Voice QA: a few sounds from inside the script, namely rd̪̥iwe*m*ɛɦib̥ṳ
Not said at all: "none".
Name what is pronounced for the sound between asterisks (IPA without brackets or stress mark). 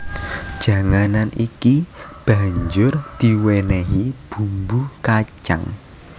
n